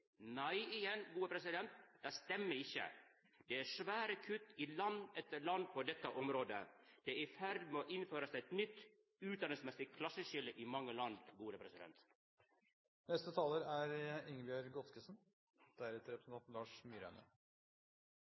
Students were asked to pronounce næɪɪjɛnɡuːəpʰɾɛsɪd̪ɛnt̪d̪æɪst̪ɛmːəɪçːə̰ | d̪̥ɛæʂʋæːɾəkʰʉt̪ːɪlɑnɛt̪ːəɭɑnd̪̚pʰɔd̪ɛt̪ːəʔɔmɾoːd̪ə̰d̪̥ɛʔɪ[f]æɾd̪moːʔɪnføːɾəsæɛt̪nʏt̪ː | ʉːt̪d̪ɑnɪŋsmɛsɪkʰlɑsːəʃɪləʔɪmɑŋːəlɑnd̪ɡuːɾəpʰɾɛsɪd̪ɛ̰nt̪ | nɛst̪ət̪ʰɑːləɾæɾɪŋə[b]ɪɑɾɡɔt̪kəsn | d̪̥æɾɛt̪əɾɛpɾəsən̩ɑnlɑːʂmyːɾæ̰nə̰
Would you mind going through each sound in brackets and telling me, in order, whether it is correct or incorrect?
correct, correct

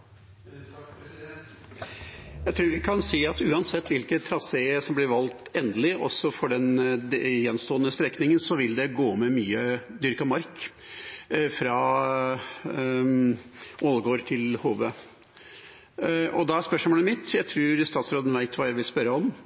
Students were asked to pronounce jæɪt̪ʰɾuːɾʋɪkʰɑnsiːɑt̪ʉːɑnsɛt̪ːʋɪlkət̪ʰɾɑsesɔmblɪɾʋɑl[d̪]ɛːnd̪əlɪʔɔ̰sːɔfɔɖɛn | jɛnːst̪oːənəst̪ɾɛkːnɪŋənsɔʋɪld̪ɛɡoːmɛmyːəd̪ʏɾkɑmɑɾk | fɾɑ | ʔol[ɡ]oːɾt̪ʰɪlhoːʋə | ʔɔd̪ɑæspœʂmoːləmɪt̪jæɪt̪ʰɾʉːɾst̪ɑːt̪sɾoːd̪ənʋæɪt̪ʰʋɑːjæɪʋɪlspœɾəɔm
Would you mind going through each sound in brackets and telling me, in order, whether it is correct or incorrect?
incorrect, correct

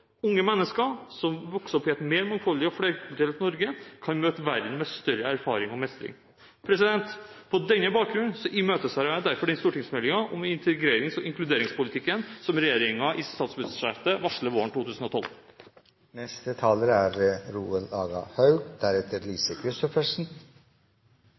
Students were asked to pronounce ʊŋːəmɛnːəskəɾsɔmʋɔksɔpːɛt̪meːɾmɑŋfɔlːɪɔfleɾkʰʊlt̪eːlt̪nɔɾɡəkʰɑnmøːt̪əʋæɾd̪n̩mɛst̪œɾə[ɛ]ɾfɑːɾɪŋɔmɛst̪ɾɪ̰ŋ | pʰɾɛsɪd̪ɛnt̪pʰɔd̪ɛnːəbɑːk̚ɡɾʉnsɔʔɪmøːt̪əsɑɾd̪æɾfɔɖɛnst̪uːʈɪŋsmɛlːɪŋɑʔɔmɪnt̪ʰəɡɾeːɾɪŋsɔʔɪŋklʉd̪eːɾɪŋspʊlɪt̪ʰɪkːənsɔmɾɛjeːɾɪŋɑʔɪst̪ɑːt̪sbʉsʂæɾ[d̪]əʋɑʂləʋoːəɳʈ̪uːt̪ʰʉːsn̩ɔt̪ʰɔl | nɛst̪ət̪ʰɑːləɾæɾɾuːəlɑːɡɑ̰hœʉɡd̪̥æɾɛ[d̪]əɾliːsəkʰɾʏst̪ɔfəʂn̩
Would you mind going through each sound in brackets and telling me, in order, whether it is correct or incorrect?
incorrect, incorrect, incorrect

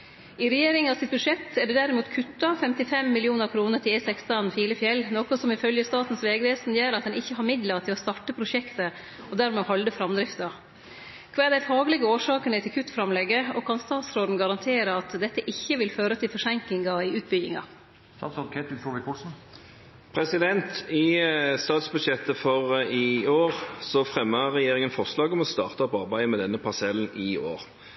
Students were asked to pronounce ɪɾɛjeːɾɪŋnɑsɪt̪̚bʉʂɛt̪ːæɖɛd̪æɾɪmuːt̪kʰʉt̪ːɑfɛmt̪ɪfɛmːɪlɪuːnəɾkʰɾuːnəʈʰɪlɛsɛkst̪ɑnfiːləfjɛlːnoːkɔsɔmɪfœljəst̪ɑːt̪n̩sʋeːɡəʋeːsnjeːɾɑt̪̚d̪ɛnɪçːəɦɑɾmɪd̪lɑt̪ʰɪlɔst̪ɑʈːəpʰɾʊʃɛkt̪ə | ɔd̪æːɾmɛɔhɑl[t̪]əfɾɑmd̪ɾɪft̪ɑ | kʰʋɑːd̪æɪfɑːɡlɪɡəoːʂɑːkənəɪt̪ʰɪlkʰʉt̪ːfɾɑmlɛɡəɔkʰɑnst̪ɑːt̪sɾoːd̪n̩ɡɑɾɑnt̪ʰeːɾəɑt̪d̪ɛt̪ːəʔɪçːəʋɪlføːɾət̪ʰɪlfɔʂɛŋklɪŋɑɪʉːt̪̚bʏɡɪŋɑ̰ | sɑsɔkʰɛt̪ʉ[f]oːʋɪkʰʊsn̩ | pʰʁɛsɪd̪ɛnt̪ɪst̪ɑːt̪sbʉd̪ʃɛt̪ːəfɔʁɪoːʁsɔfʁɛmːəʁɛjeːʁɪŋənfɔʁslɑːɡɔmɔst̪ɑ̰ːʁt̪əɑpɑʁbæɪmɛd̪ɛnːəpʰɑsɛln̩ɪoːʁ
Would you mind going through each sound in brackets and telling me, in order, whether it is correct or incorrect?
incorrect, correct

